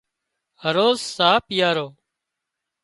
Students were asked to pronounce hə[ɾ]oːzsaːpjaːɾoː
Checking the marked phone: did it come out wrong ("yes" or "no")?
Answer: no